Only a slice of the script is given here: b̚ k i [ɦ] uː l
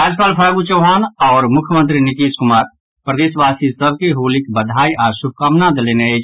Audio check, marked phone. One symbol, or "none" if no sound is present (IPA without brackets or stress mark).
ɦ